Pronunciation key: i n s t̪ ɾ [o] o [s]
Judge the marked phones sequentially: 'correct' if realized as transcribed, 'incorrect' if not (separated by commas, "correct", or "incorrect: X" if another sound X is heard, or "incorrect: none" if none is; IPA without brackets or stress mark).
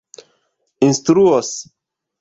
incorrect: u, correct